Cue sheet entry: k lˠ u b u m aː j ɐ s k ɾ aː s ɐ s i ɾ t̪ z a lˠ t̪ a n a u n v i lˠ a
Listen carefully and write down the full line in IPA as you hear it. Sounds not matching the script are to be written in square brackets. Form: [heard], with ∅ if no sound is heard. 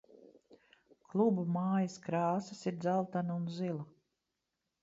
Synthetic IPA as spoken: k lˠ u b u m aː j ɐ s k ɾ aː s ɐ s i ɾ [d̪] z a lˠ t̪ a n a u n [z] i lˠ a